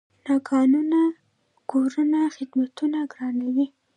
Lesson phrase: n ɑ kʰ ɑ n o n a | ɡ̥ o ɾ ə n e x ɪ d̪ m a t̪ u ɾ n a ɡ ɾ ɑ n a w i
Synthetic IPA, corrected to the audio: n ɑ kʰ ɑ n u n a | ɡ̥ o ɾ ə n a x ɪ d̪ m a t̪ u n a ɡ ɾ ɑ n a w i